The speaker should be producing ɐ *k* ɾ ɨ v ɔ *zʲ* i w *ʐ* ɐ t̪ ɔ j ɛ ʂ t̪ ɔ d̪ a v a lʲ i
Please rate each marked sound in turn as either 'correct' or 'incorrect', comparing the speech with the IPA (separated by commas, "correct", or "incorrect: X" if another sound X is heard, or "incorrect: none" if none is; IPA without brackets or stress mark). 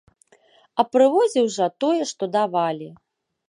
incorrect: p, correct, correct